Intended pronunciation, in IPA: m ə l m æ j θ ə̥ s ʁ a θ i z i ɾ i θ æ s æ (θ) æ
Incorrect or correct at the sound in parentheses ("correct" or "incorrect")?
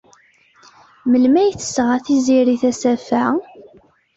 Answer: incorrect